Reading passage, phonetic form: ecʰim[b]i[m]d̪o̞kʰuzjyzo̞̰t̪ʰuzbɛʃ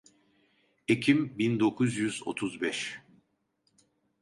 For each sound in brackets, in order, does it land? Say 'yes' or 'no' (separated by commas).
yes, no